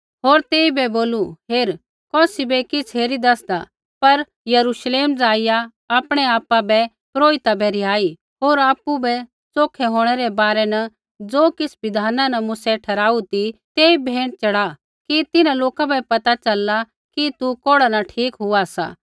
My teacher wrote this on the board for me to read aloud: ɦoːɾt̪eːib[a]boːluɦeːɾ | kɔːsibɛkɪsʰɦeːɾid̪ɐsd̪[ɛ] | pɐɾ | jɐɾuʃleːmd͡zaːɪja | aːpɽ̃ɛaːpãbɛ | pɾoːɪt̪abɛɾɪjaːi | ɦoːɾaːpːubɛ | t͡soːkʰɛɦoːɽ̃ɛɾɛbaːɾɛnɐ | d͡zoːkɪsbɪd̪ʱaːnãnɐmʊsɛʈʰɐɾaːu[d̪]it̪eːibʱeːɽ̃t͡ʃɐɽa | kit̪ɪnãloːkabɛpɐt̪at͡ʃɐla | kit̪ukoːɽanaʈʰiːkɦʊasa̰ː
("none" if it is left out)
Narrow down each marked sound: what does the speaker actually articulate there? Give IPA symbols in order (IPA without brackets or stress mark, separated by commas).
ɛ, a, t̪